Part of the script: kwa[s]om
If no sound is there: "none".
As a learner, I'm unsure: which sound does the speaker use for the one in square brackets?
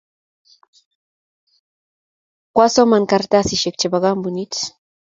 s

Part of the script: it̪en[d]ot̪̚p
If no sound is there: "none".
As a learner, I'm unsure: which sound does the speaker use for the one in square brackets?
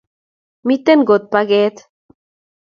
ɡ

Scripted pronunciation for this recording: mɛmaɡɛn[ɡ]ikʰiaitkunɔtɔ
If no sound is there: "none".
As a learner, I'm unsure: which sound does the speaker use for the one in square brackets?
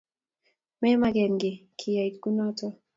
ɡ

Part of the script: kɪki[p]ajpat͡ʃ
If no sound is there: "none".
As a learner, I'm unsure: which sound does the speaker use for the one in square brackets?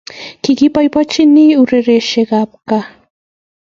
p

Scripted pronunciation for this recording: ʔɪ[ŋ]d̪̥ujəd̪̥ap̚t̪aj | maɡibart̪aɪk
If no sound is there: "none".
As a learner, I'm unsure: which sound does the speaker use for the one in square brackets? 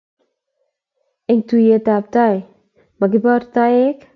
ŋ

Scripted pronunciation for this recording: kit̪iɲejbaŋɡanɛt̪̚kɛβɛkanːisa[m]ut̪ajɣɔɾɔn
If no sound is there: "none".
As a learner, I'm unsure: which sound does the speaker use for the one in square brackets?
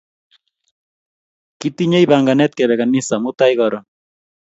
m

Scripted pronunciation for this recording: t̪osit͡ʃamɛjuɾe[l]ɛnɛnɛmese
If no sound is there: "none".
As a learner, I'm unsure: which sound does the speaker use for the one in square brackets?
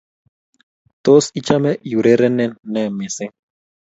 ɾ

